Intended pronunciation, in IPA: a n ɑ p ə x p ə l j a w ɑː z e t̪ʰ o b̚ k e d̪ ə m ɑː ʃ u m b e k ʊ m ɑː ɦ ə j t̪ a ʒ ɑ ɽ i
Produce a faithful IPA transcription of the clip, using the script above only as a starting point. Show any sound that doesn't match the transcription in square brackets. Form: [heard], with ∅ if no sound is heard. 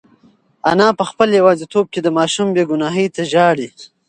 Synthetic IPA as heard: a n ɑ p ə x p ə l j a w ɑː z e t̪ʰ o b̚ k e d̪ ə m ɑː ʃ u m b e [ɡ] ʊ [n] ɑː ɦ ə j t̪ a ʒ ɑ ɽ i